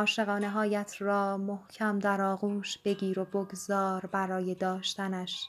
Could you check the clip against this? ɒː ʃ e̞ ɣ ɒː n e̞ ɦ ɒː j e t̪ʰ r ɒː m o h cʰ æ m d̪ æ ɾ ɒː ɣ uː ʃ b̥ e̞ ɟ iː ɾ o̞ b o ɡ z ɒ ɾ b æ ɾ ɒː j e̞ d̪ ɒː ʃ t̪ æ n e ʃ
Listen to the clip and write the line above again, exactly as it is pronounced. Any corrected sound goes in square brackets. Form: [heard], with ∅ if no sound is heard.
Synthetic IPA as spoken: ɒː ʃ e̞ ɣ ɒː n e̞ ɦ ɒː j [æ] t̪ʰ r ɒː m o h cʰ æ m d̪ æ ɾ ɒː ɣ uː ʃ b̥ e̞ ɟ iː ɾ o̞ b o ɡ z [ɒː] ɾ b æ ɾ ɒː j e̞ d̪ ɒː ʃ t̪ æ n [æ] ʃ